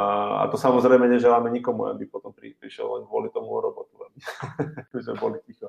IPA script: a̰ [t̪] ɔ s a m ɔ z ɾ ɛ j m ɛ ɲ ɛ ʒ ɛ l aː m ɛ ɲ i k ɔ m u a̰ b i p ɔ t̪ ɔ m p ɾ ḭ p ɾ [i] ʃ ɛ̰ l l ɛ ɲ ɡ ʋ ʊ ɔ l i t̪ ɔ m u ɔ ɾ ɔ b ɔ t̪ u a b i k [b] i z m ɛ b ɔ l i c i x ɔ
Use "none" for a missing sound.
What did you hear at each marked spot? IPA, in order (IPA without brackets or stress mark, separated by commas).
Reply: t̪, i, b